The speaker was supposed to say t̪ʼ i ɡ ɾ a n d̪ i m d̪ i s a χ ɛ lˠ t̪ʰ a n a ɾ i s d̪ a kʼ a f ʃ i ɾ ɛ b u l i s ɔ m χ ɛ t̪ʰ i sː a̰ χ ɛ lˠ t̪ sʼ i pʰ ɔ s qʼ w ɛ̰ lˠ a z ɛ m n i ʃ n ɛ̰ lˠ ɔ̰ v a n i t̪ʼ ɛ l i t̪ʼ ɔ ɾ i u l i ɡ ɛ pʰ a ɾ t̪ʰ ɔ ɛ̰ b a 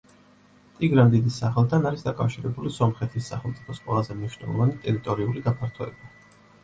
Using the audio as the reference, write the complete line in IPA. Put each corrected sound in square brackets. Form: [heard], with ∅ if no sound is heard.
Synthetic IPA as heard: t̪ʼ i ɡ ɾ a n d̪ i [∅] d̪ i s a χ ɛ lˠ t̪ʰ a n a ɾ i s d̪ a kʼ a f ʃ i ɾ ɛ b u l i s ɔ m χ ɛ t̪ʰ i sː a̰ χ ɛ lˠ t̪ sʼ i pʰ ɔ s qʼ w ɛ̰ lˠ a z ɛ m n i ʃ n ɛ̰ lˠ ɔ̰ v a n i t̪ʼ ɛ [ɾ] i t̪ʼ ɔ ɾ i u l i ɡ [a] pʰ a ɾ t̪ʰ ɔ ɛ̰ b a